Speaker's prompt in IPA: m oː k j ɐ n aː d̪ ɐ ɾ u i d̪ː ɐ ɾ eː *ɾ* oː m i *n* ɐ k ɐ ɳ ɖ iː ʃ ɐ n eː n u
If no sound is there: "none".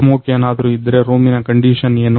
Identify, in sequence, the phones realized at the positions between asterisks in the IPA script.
ɾ, n

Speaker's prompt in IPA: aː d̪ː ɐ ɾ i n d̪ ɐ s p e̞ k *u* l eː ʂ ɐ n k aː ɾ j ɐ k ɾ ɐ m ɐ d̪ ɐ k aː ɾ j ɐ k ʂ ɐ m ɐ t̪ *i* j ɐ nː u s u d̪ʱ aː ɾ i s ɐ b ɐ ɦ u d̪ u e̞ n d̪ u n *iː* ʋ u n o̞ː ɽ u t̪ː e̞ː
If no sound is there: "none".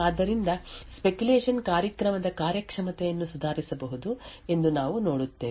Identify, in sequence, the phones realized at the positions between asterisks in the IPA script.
u, ɛ, aː

